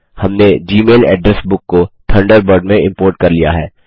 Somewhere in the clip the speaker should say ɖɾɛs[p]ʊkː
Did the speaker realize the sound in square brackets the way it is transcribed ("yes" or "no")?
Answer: no